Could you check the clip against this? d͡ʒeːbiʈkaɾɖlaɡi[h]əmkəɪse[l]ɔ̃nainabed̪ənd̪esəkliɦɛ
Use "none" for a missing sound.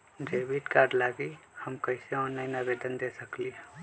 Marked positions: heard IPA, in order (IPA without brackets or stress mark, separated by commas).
h, none